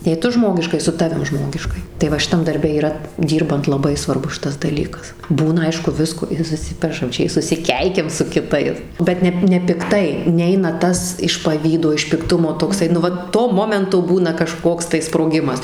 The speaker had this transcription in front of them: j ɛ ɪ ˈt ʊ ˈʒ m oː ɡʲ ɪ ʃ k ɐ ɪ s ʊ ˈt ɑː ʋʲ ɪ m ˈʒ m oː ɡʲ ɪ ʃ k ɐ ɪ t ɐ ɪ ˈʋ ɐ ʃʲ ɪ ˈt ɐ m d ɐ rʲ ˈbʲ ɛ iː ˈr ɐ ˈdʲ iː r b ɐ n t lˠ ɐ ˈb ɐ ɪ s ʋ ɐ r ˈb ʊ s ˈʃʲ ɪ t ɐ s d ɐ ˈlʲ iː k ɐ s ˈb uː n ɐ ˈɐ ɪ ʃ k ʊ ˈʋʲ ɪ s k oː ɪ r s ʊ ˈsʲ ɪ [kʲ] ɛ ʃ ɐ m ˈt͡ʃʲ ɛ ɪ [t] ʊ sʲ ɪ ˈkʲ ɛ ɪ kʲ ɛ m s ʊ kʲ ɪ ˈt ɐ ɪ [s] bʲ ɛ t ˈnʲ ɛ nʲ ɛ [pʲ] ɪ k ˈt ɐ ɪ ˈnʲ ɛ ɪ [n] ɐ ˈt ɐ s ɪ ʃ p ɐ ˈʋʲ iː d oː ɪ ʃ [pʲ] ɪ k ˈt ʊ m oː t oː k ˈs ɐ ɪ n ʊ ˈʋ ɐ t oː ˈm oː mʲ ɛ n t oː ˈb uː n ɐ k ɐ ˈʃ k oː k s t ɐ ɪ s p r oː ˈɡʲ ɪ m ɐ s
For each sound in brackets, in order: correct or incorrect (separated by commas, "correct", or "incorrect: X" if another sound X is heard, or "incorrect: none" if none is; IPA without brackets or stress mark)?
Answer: incorrect: pʲ, incorrect: s, correct, correct, correct, correct